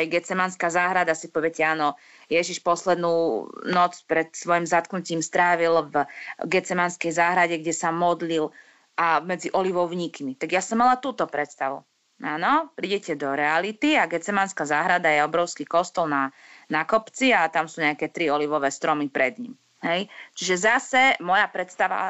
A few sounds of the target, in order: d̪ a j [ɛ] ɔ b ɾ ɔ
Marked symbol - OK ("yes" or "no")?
yes